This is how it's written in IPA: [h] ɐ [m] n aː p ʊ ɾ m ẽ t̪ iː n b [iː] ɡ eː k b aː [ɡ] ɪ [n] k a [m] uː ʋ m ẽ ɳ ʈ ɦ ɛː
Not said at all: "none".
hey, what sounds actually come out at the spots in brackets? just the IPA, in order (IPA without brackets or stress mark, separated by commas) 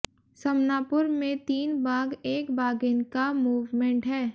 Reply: s, m, aː, ɡ, n, m